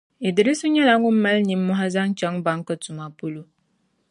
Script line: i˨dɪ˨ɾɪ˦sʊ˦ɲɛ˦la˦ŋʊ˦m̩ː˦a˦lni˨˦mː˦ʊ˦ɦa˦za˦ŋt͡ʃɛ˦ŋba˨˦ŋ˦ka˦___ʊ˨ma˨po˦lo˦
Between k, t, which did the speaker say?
t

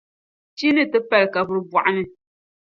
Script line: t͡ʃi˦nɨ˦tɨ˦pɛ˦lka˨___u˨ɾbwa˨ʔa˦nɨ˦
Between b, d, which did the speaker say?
b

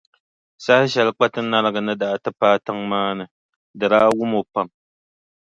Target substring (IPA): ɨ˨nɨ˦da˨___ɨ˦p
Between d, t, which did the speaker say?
t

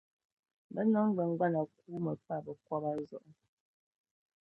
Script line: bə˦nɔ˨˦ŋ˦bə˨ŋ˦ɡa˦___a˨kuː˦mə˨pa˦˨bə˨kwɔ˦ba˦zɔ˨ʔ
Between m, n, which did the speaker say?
n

